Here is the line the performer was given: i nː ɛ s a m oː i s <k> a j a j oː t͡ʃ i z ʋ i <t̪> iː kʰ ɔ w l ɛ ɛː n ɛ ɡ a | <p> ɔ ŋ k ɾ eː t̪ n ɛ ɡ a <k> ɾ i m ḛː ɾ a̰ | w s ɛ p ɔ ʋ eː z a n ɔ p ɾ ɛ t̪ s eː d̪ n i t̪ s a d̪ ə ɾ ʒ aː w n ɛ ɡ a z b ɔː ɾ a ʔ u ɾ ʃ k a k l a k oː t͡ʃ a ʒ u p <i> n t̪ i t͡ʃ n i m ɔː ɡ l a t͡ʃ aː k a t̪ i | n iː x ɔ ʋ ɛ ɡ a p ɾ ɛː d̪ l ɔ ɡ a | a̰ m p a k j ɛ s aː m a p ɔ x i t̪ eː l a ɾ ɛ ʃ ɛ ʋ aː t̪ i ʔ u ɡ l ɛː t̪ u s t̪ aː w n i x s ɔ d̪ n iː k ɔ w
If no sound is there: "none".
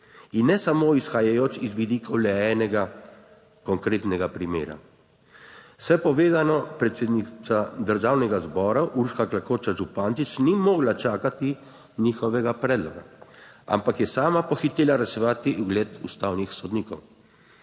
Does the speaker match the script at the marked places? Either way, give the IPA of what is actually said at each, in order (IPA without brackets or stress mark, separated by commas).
x, d̪, k, p, a